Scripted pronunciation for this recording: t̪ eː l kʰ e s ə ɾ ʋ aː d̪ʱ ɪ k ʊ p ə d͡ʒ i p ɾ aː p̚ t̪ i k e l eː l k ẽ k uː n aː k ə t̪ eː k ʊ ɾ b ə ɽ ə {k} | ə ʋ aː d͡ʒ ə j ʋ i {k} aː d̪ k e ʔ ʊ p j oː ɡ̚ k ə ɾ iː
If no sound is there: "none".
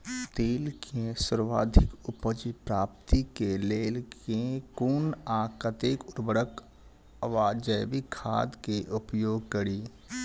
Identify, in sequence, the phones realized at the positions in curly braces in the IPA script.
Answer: k, kʰ

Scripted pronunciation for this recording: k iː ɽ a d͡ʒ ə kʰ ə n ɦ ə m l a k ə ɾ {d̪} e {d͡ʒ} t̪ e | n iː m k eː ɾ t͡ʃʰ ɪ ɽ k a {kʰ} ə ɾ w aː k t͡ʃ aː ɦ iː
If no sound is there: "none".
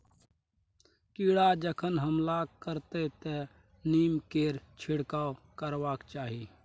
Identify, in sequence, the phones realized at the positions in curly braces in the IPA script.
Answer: t̪, none, k

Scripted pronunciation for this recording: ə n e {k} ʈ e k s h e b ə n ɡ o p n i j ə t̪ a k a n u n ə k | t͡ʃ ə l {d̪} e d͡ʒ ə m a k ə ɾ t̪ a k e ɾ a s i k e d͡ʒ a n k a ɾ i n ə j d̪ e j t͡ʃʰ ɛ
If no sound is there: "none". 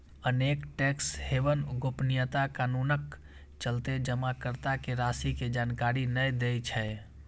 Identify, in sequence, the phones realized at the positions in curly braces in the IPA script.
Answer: k, t̪

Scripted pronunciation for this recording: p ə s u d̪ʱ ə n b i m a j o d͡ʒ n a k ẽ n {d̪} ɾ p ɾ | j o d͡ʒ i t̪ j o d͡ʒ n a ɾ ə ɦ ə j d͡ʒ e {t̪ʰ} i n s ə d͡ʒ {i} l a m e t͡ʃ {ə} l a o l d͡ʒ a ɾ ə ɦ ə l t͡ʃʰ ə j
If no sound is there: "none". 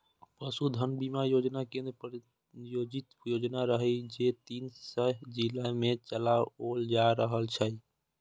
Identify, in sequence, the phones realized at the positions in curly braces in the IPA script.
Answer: d̪, t̪, i, ə

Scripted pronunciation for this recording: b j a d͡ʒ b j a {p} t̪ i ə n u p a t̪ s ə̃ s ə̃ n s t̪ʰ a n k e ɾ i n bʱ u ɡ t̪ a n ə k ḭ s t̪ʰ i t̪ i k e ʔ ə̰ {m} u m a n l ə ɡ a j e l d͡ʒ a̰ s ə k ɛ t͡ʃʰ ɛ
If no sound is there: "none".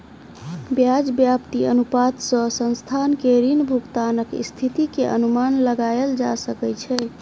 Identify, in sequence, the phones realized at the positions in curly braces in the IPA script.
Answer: p, n

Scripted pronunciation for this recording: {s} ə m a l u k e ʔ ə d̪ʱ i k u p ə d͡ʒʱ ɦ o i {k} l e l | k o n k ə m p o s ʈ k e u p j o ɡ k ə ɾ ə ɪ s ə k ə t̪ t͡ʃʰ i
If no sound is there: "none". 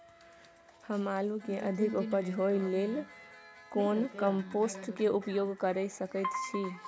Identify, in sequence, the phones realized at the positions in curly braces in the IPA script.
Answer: h, none

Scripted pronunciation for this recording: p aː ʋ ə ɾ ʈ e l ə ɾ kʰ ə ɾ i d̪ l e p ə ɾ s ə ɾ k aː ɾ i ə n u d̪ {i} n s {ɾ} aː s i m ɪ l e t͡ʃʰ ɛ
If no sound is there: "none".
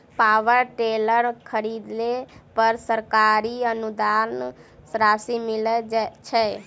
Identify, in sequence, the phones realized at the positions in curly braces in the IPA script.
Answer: a, ɾ

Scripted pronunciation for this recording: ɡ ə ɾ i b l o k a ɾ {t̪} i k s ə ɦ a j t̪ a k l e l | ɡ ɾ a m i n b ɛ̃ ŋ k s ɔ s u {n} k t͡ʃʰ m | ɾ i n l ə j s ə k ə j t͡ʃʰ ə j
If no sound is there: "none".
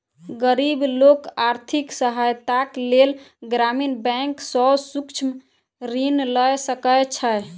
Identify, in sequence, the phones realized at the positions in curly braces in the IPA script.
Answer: t̪ʰ, none

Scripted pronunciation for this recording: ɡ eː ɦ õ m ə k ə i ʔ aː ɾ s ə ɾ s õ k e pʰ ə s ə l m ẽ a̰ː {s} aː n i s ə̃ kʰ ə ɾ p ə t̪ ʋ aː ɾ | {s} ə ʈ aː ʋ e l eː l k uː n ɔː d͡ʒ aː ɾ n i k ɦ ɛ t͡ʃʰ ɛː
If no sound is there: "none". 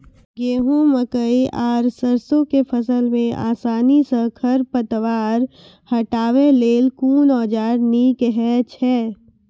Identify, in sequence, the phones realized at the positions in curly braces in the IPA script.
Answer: s, h

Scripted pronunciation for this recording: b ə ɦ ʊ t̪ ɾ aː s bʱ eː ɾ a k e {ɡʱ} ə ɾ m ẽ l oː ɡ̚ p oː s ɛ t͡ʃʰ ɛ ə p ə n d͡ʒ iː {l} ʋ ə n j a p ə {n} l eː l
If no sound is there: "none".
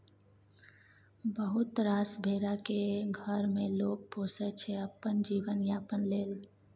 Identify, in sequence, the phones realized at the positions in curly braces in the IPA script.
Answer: ɡʱ, none, n

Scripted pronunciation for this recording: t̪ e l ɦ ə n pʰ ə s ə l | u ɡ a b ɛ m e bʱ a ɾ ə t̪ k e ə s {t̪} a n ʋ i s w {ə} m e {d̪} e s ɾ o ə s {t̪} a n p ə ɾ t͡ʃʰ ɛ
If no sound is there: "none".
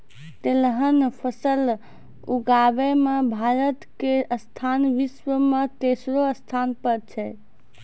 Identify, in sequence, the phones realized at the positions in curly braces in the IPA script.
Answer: t̪ʰ, ə, t̪, t̪ʰ

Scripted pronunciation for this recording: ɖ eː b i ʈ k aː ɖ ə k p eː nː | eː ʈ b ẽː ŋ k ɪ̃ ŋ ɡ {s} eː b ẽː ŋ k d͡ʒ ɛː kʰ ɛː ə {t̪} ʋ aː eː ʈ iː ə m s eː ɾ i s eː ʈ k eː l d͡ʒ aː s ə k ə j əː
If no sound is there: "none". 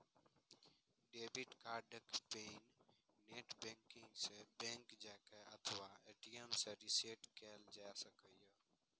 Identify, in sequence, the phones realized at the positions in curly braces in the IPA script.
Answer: s, t̪ʰ

